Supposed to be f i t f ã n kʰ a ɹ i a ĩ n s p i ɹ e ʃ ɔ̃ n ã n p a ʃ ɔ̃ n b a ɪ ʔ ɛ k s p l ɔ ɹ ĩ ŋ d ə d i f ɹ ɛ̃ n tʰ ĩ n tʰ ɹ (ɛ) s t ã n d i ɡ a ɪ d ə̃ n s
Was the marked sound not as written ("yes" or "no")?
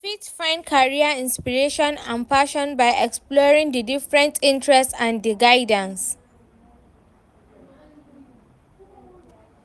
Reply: no